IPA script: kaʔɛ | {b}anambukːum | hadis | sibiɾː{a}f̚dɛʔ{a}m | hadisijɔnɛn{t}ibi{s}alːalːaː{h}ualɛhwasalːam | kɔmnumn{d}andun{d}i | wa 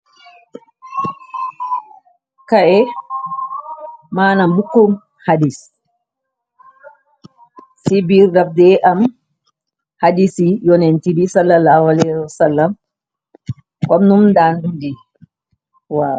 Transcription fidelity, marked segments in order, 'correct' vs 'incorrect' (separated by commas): incorrect, correct, correct, correct, correct, correct, correct, correct